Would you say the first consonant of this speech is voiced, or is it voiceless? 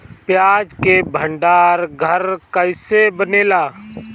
voiceless